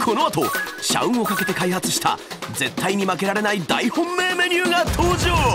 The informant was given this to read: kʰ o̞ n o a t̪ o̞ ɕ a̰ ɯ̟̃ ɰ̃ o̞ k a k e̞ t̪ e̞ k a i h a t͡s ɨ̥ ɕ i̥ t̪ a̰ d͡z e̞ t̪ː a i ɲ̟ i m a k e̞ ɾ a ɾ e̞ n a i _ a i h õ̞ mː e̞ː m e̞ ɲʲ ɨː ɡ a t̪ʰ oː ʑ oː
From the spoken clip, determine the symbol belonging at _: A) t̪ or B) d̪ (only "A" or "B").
B